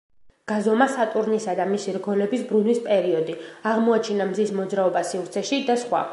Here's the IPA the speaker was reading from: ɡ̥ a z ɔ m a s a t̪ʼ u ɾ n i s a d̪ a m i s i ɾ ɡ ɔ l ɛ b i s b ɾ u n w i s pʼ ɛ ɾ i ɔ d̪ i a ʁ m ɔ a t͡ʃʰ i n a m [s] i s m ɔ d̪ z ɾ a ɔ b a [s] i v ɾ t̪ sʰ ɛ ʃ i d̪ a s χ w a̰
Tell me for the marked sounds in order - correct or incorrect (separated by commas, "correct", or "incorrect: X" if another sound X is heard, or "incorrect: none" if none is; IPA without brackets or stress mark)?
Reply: incorrect: z, correct